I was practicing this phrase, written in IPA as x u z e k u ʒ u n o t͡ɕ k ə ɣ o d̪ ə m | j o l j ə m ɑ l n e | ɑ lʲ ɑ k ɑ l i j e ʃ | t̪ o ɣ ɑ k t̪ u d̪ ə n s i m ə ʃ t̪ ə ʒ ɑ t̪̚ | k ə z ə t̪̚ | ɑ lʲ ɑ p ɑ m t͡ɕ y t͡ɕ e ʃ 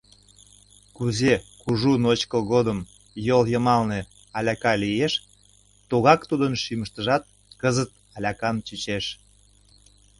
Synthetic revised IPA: k u z e k u ʒ u n o t͡ɕ k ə ɣ o d̪ ə m | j o l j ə m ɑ l n e | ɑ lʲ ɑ k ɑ l i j e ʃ | t̪ o ɣ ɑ k t̪ u d̪ ə n ʃ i m ə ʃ t̪ ə ʒ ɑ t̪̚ | k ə z ə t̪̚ | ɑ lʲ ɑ k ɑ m t͡ɕ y t͡ɕ e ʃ